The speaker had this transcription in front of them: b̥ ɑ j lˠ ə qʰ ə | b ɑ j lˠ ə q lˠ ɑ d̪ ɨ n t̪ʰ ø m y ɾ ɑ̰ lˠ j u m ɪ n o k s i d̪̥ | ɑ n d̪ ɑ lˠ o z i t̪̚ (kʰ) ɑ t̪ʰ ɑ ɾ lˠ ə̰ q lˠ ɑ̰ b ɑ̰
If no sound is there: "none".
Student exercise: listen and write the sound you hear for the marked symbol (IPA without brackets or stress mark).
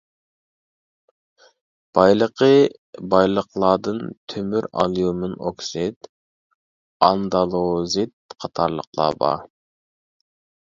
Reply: qʰ